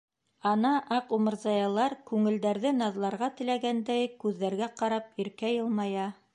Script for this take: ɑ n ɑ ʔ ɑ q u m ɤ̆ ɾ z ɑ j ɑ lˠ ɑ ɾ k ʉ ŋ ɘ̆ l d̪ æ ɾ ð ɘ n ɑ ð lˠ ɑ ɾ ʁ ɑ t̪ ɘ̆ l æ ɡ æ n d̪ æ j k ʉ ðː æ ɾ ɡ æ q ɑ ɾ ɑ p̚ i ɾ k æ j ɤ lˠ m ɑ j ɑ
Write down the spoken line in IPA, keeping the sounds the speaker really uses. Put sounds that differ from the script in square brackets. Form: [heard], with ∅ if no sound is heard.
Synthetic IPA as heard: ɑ n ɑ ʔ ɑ q u m ɤ̆ ɾ z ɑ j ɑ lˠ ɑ ɾ k ʉ ŋ ɘ̆ l d̪ æ ɾ ð ɘ n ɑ ð lˠ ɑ ɾ ʁ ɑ t̪ ɘ̆ l æ ɡ æ n d̪ æ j k ʉ ðː æ ɾ ɡ æ q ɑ ɾ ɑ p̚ i ɾ k æ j ɤ lˠ m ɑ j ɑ